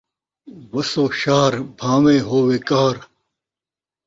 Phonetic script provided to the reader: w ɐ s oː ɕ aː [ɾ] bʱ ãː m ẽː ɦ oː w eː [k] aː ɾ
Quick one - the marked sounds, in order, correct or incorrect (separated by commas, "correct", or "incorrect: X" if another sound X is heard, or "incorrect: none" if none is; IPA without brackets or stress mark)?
correct, correct